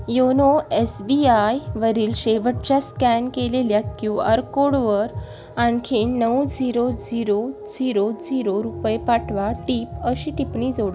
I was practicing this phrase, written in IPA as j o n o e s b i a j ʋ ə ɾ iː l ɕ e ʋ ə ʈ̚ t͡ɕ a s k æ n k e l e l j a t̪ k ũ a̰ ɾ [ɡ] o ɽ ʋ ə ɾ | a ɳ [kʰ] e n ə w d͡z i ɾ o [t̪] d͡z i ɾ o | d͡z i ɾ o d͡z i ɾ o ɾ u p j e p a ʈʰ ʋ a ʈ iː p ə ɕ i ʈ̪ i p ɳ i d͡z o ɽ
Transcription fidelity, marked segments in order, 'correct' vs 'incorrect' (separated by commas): incorrect, correct, incorrect